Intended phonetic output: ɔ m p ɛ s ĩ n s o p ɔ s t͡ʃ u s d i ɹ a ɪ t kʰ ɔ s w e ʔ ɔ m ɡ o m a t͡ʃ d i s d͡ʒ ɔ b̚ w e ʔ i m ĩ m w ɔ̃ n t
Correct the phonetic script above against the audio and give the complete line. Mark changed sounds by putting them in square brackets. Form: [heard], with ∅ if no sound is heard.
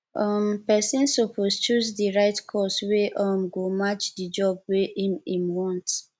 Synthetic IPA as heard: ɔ m p ɛ s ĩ n s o p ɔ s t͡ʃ u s d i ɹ a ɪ t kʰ ɔ s w e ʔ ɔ m ɡ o m a t͡ʃ d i [∅] d͡ʒ ɔ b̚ w e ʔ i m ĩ m w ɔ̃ n t